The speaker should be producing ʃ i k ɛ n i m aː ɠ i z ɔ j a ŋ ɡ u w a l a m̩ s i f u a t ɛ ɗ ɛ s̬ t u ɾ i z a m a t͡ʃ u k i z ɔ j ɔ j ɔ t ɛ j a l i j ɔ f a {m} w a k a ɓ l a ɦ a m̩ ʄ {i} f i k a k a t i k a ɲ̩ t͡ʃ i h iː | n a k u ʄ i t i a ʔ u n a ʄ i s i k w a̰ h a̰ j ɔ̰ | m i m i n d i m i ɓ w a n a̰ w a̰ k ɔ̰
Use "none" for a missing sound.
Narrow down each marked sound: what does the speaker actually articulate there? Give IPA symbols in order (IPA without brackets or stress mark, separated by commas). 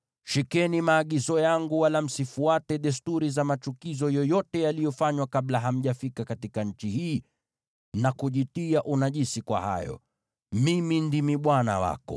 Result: ɲ, a